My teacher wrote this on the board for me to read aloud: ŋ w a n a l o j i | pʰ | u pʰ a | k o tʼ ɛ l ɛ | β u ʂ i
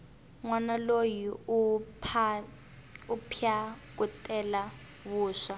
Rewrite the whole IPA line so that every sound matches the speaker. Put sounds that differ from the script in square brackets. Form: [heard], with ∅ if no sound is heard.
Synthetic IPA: ŋ w a n a l o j i | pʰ | u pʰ a | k [u] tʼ ɛ l [a] | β [uː] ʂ [a]